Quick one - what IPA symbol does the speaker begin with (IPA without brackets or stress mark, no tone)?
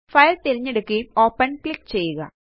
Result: f